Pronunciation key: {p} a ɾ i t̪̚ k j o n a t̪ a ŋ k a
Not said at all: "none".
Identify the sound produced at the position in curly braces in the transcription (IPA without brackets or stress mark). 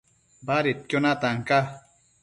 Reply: b